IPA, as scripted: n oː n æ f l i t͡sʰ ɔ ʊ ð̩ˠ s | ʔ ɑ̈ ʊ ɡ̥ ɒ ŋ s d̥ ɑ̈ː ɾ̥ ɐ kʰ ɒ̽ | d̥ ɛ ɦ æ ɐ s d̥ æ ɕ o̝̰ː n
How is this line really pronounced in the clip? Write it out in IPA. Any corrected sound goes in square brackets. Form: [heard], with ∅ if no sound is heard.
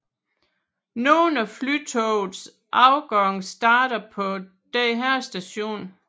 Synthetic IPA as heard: n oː n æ f l [y] t͡sʰ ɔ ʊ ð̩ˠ s | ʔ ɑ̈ ʊ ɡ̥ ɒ ŋ s d̥ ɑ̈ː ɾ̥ ɐ [pʰ] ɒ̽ | d̥ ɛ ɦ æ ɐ s d̥ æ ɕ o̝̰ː n